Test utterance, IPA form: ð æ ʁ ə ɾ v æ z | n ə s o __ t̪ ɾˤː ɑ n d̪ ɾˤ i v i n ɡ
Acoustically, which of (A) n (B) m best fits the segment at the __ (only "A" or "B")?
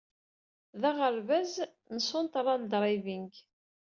A